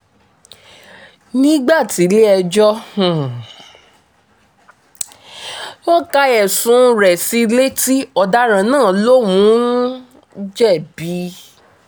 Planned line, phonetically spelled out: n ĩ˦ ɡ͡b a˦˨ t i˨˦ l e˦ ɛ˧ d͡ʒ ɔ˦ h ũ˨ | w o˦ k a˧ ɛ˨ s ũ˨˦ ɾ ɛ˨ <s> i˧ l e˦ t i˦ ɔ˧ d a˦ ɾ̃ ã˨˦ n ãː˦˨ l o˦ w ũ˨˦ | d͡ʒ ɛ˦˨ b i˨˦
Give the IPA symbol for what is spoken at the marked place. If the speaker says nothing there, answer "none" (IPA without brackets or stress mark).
s